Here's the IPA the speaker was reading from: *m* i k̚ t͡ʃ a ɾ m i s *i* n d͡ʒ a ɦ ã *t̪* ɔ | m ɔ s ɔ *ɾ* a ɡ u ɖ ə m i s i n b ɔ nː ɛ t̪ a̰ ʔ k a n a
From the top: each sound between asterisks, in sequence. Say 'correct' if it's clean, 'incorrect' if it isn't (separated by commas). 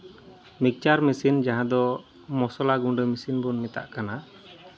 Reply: correct, correct, incorrect, incorrect